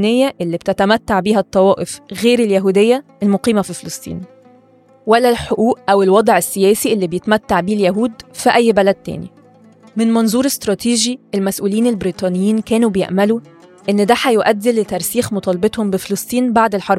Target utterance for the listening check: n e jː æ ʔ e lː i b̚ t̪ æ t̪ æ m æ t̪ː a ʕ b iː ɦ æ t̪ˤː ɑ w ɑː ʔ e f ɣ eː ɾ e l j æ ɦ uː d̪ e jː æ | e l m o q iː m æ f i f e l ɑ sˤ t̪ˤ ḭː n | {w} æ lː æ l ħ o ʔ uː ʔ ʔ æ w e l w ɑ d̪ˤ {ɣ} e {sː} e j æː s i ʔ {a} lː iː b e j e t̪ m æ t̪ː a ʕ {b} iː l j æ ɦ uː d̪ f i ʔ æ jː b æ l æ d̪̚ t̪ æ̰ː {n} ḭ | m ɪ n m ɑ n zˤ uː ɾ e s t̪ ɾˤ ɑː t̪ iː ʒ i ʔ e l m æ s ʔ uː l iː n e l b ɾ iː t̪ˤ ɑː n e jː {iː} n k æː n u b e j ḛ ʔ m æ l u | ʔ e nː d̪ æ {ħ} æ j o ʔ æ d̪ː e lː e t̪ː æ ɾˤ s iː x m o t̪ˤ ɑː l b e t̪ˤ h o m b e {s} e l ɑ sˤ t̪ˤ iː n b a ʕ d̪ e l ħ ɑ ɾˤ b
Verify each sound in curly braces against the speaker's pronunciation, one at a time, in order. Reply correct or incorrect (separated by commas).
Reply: correct, incorrect, correct, incorrect, correct, correct, correct, correct, incorrect